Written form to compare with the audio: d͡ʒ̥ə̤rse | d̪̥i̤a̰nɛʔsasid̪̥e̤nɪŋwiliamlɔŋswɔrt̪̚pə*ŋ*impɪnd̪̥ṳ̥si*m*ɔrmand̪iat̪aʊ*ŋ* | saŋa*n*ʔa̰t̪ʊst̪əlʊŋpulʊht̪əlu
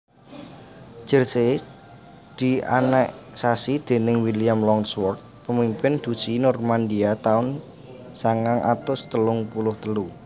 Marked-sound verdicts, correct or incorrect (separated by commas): incorrect, incorrect, incorrect, incorrect